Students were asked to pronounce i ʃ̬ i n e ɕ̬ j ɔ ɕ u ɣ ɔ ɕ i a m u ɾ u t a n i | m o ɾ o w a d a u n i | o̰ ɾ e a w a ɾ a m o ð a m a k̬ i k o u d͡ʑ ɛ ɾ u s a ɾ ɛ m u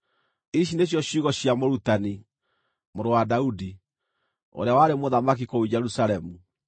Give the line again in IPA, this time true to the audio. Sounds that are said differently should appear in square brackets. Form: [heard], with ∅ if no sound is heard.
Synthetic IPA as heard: i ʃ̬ i n e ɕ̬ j ɔ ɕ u ɣ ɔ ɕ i a m [o] ɾ u t a n i | m o ɾ o w a d a u [d] i | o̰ ɾ e a w a ɾ [e] m o ð a m a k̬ i k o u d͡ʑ ɛ ɾ u s a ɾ ɛ m u